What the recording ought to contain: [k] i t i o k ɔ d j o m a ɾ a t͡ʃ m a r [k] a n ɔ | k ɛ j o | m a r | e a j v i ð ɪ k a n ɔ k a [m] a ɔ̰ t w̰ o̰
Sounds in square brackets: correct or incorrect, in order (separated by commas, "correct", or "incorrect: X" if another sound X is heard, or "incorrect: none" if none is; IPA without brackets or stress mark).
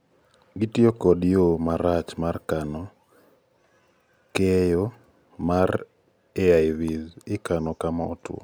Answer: incorrect: ɡ, correct, correct